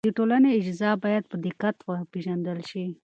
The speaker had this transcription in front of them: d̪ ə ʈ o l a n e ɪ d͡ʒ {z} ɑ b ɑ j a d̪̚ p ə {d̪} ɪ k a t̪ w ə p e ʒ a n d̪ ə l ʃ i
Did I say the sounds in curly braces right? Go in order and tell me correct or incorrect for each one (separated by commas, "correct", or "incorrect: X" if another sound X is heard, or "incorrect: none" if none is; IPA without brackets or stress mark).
correct, correct